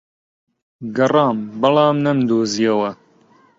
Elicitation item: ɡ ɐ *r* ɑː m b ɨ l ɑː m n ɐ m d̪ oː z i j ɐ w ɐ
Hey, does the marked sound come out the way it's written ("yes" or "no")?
yes